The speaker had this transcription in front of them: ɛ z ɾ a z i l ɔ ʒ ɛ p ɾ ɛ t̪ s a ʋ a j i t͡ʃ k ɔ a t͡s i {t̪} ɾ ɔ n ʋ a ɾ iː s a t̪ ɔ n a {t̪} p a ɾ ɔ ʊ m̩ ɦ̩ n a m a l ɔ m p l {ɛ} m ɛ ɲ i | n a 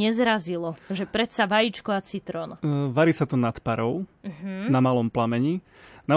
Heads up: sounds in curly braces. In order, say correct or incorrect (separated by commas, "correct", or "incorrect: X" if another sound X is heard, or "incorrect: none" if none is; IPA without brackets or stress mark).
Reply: correct, correct, incorrect: a